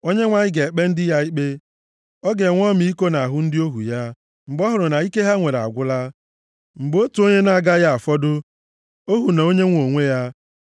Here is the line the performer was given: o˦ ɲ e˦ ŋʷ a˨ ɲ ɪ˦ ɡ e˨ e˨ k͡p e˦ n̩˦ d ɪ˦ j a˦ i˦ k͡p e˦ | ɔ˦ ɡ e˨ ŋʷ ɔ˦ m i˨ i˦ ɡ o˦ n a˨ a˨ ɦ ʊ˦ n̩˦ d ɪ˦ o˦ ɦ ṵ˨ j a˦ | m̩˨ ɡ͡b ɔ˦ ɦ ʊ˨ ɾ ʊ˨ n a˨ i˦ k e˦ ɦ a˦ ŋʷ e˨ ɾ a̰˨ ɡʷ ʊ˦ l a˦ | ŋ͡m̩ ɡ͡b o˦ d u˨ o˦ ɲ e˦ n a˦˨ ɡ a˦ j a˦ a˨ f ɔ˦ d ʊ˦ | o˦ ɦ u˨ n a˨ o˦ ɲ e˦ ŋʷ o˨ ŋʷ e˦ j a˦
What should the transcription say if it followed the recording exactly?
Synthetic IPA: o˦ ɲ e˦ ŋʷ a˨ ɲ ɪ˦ ɡ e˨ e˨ k͡p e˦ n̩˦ d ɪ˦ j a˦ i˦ k͡p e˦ | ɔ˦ ɡ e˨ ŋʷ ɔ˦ m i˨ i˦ k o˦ n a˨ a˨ ɦ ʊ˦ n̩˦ d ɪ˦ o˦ ɦ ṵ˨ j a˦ | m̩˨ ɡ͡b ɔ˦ ɦ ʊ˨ ɾ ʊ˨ n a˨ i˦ k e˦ ɦ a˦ ŋʷ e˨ ɾ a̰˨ ɡʷ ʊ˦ l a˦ | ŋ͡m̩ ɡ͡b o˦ t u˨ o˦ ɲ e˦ n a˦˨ ɡ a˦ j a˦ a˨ f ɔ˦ d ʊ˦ | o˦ ɦ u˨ n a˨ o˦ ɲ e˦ ŋʷ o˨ ŋʷ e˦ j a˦